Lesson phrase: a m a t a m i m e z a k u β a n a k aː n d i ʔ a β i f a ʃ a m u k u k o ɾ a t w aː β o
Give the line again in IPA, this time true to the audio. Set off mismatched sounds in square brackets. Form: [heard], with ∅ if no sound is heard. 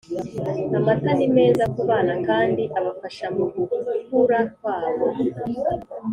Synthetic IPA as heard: a m a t a [n] i m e z a k u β a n a k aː n d i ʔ a β [a] f a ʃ a m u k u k [u] ɾ a [k] w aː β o